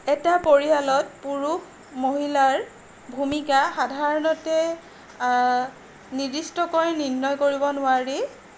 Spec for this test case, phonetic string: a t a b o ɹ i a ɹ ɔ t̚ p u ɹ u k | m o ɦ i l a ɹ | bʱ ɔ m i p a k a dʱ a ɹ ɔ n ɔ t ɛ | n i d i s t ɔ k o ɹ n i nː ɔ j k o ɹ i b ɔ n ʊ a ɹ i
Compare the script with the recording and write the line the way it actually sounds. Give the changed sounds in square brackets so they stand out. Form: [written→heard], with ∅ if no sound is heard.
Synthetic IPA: [a→ɛ] t a [b→p] o ɹ i a [ɹ→l] ɔ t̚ p u ɹ u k | m o ɦ i l a ɹ | bʱ [ɔ→u] m i [p→k] a [k→x] a dʱ a ɹ ɔ n ɔ t ɛ | n i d i s t ɔ k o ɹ n i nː ɔ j k o ɹ i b ɔ n ʊ a ɹ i